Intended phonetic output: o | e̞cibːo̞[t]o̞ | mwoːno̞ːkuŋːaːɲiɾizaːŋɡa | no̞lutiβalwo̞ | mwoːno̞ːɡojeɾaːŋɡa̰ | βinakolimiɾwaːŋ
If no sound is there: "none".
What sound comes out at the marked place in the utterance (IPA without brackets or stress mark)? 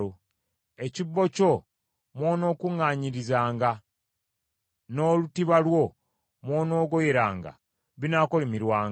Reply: c